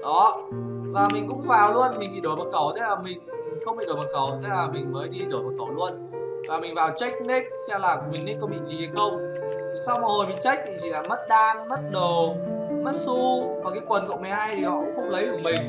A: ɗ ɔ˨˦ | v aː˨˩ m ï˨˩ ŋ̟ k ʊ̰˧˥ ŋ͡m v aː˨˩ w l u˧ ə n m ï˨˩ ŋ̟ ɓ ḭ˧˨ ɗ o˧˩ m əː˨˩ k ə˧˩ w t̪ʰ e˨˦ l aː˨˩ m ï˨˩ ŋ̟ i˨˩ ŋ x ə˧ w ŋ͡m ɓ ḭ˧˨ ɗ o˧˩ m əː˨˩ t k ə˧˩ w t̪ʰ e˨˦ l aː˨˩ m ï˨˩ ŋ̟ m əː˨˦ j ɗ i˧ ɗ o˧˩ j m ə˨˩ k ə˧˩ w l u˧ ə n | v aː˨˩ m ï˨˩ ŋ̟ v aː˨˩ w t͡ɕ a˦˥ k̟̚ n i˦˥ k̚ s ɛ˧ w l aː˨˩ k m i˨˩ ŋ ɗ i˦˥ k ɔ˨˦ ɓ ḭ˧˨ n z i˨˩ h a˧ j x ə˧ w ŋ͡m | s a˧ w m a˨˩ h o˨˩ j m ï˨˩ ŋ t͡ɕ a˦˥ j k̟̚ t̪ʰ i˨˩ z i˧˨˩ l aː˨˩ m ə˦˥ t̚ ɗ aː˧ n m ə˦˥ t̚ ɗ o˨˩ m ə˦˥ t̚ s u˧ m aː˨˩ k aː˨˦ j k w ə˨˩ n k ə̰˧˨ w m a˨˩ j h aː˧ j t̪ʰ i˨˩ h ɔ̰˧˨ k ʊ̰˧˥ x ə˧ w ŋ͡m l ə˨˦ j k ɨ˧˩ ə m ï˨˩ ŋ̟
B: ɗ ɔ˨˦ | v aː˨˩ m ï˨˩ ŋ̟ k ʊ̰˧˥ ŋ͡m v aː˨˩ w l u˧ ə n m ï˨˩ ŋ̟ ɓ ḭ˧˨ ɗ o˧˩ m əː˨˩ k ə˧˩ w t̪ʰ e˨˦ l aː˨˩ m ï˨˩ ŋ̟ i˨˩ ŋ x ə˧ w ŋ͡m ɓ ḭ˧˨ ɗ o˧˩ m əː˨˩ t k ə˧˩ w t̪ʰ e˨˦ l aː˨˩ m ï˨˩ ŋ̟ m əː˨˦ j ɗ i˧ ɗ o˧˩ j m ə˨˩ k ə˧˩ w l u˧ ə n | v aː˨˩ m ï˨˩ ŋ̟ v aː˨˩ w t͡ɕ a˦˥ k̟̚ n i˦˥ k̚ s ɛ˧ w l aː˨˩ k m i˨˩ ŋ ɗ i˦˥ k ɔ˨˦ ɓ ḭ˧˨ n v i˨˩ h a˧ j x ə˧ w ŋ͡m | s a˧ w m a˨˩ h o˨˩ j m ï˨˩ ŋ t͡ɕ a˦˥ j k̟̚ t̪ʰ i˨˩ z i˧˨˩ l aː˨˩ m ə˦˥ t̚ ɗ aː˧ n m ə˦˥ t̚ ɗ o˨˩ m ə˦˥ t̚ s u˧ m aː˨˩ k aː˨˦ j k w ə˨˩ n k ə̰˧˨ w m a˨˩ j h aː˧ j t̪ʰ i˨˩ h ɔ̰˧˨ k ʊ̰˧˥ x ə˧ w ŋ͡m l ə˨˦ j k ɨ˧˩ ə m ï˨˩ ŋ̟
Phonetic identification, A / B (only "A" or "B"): A